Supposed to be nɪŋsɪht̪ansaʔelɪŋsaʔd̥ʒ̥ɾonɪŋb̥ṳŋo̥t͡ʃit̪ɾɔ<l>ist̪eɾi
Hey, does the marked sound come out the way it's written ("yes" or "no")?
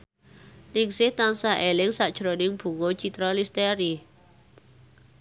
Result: yes